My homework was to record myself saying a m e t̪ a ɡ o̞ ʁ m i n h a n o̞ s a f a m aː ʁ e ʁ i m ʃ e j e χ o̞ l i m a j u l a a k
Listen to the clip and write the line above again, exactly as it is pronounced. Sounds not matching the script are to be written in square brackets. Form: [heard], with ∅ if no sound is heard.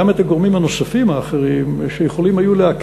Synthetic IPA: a m e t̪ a ɡ o̞ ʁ m i [m] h a n o̞ s a f [i] m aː [χ] e ʁ i m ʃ e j e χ o̞ l i m a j u l [e] a k